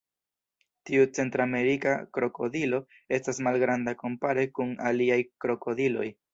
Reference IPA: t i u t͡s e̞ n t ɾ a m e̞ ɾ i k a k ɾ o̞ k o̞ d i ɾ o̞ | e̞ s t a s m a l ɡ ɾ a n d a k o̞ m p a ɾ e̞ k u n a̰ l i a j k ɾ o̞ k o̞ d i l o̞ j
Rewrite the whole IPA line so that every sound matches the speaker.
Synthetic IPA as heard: t i u t͡s e̞ n t ɾ a m e̞ ɾ i k a k ɾ o̞ k o̞ d i l o̞ | e̞ s t a s m a l ɡ ɾ a n d a k o̞ m p a ɾ e̞ k u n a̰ l i a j k ɾ o̞ k o̞ d i l o̞ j